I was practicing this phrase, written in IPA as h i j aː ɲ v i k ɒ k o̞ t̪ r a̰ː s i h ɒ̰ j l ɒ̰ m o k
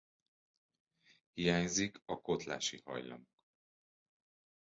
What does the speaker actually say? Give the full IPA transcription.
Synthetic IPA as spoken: h i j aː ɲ z i k ɒ k o̞ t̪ l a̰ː ʃ i h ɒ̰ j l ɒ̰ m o k